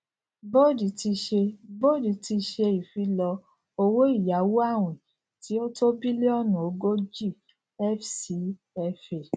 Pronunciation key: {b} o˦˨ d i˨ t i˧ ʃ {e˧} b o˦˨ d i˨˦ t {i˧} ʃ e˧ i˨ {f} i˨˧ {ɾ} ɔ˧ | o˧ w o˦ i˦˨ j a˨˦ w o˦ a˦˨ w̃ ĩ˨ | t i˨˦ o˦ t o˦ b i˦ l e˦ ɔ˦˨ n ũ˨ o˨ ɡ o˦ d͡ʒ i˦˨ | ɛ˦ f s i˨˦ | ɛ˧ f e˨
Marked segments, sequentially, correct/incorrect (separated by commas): correct, correct, correct, correct, incorrect